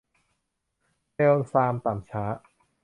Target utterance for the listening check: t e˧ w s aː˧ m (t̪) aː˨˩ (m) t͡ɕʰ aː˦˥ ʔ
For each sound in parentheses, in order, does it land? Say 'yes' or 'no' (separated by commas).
yes, yes